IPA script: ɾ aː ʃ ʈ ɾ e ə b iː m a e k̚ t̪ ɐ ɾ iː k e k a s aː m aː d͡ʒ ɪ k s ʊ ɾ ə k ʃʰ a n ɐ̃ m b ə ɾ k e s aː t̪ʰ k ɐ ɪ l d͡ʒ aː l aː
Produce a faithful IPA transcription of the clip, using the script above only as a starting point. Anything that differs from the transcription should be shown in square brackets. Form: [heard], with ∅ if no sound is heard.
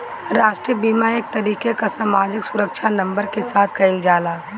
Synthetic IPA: ɾ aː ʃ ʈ ɾ [i] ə b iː m a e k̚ t̪ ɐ ɾ iː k e k a s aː m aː d͡ʒ ɪ k s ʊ ɾ ə k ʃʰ a n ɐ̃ m b ə ɾ k e s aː t̪ʰ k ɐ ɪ l d͡ʒ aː l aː